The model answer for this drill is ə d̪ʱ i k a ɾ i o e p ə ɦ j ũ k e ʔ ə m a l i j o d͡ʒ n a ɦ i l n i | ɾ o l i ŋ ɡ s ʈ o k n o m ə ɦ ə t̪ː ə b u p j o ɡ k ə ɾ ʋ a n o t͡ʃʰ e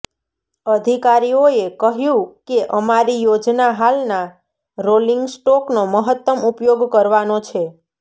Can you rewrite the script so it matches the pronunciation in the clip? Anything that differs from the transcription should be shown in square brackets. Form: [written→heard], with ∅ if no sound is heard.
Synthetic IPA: ə d̪ʱ i k a ɾ i o e [p→k] ə ɦ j ũ k e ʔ ə m a [l→ɾ] i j o d͡ʒ n a ɦ [i→a] l n [i→a] | ɾ o l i ŋ ɡ s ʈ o k n o m ə ɦ ə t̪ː ə [b→m] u p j o ɡ k ə ɾ ʋ a n o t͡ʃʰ e

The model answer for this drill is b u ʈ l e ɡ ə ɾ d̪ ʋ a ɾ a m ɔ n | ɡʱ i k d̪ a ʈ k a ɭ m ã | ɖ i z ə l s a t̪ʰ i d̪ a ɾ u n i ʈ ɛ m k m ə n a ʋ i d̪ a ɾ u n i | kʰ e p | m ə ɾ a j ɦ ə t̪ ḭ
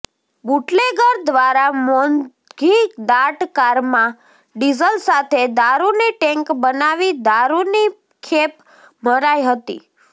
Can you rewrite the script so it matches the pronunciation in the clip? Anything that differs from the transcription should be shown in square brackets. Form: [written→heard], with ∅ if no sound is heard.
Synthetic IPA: b u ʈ l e ɡ ə ɾ d̪ ʋ a ɾ a m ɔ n | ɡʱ i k d̪ a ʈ k a [ɭ→ɾ] m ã | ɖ i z ə l s a t̪ʰ [i→e] d̪ a ɾ u n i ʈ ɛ [m→ŋ] k [m→b] ə n a ʋ i d̪ a ɾ u n i | kʰ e p | m ə ɾ a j ɦ ə t̪ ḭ

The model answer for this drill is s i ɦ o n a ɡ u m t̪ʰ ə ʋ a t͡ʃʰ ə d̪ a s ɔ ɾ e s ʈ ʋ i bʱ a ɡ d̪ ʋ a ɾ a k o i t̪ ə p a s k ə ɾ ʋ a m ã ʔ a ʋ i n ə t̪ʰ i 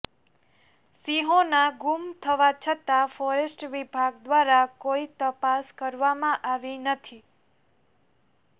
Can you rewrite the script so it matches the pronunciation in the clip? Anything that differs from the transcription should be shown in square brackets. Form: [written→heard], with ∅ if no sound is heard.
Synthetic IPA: s i ɦ o n a ɡ u m t̪ʰ ə ʋ a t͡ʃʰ ə [d̪→t̪] a [s→f] ɔ ɾ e s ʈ ʋ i bʱ a ɡ d̪ ʋ a ɾ a k o i t̪ ə p a s k ə ɾ ʋ a m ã ʔ a ʋ i n ə t̪ʰ i

